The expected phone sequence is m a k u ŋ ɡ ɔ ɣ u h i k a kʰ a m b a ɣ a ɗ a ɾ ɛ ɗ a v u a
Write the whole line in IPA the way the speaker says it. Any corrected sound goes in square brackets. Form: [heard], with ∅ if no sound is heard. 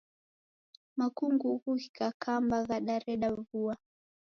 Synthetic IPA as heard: m a k u ŋ ɡ [u] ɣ u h i k a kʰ a m b a ɣ a ɗ a ɾ ɛ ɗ a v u a